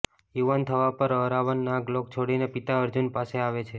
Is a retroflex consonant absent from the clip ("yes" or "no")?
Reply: no